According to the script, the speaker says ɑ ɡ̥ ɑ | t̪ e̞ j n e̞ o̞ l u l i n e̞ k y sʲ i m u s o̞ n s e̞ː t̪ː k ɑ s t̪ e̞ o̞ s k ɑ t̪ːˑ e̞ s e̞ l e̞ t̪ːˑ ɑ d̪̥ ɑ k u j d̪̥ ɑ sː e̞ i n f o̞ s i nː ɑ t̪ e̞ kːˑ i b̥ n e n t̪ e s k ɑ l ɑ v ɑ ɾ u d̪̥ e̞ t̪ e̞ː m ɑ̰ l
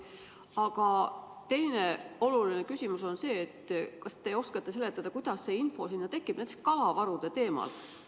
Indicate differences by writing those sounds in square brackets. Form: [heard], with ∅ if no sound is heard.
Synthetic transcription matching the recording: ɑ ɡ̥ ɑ | t̪ e̞ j n e̞ o̞ l u l i n e̞ k y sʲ i m u s o̞ n s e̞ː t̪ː k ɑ s t̪ e̞ o̞ s k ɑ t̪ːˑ e̞ s e̞ l e̞ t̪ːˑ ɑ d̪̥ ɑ k u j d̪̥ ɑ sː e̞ i n f o̞ s i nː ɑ t̪ e̞ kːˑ i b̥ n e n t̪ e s k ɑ l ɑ v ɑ ɾ u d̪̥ e̞ t̪ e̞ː m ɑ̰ l